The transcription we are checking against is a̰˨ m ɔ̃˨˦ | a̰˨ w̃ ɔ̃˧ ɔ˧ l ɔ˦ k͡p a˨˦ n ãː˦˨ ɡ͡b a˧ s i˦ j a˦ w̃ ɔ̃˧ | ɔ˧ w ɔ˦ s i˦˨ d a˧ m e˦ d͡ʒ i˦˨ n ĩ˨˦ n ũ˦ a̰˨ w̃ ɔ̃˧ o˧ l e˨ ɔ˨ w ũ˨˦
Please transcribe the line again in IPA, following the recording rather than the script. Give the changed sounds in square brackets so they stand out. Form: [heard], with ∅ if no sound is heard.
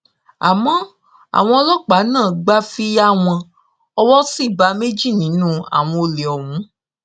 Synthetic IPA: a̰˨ m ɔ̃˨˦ | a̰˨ w̃ ɔ̃˧ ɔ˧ l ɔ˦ k͡p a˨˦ n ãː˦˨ ɡ͡b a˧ [f] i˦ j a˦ w̃ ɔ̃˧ | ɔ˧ w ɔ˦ s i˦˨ [b] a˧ m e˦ d͡ʒ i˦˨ n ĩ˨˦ n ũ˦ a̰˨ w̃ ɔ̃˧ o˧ l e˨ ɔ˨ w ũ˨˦